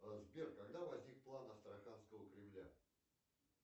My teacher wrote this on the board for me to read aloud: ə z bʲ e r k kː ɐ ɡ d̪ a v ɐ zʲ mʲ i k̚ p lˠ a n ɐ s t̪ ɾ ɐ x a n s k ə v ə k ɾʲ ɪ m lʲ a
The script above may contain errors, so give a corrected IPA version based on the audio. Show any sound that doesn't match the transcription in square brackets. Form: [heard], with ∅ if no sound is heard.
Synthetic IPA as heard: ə z bʲ e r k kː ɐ ɡ d̪ a v ɐ zʲ [nʲ] i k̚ p lˠ a n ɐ s t̪ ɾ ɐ x a n s k ə v ə k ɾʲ ɪ m lʲ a